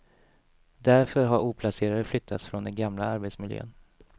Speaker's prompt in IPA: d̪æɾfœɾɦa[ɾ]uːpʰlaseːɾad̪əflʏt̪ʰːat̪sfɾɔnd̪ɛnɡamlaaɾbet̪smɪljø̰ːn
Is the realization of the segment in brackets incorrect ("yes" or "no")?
no